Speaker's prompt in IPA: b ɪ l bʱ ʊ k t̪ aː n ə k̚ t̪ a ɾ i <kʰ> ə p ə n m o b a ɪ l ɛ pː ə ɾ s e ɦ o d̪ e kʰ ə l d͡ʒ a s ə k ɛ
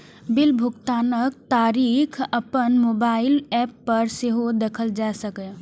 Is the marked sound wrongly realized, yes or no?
no